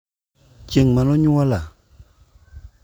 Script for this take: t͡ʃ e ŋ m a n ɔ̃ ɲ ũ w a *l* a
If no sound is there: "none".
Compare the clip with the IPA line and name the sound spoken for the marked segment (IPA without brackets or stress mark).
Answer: l